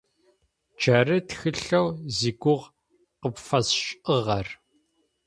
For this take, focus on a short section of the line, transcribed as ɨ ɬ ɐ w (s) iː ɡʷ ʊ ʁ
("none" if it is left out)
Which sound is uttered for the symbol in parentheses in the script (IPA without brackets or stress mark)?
z